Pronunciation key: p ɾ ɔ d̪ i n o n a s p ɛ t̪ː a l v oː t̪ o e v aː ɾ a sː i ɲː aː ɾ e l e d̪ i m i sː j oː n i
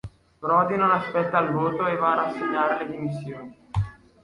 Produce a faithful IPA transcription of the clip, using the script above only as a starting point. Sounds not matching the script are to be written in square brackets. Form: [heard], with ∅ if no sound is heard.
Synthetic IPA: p ɾ ɔ d̪ i n o n a s p ɛ t̪ː a l v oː t̪ o e v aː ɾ a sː [e] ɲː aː ɾ e l e d̪ i m i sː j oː n i